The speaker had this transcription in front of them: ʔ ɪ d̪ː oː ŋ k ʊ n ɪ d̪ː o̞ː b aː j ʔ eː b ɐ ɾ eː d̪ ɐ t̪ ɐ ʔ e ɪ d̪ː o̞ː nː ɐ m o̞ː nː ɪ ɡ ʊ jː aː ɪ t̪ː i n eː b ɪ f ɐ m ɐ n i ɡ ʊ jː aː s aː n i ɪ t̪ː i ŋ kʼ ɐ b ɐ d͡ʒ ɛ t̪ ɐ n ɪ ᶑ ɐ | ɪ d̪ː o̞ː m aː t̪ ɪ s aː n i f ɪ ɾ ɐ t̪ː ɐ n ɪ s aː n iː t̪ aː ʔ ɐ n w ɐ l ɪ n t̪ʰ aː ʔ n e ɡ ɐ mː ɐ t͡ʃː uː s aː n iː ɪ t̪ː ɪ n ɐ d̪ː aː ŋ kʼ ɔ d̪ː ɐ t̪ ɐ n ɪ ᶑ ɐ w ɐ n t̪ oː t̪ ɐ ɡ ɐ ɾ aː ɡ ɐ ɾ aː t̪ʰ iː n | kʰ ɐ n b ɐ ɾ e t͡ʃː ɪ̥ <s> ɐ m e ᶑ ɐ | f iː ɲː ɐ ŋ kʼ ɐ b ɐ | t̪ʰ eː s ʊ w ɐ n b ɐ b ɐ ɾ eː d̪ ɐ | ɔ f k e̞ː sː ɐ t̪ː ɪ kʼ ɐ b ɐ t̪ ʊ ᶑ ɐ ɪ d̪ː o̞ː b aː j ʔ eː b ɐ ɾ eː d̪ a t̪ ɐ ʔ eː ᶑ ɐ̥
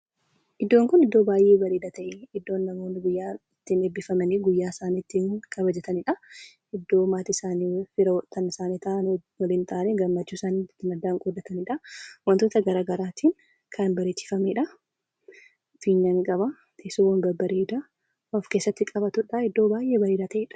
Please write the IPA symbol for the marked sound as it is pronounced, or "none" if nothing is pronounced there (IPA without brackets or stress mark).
f